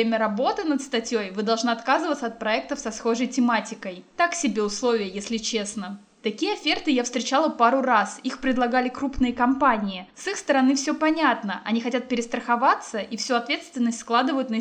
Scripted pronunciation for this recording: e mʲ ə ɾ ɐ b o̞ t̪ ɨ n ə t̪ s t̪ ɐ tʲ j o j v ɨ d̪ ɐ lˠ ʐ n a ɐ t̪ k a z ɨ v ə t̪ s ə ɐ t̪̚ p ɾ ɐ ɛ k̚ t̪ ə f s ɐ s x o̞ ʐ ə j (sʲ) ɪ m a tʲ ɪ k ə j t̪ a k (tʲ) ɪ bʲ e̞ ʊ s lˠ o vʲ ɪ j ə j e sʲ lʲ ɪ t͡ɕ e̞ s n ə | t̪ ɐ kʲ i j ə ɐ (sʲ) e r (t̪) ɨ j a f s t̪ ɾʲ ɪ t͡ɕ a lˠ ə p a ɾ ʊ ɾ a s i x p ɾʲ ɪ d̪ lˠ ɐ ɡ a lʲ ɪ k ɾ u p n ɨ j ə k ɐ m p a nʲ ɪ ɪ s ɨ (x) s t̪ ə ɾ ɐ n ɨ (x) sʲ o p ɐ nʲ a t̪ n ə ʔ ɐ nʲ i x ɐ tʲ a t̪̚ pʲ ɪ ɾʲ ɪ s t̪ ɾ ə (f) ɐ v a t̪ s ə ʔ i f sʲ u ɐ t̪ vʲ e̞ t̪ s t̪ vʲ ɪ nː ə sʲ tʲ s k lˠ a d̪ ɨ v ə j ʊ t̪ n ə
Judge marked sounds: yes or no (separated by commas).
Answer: no, no, no, yes, yes, no, no